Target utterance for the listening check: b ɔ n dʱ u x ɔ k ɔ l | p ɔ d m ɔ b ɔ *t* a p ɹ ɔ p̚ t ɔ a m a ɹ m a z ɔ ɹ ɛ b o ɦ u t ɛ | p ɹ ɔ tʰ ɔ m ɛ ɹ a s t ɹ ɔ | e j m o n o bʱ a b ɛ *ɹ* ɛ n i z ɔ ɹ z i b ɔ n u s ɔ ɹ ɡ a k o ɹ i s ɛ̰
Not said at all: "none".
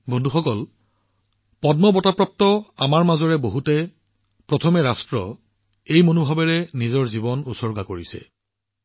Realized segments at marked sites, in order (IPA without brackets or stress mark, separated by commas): t, ɹ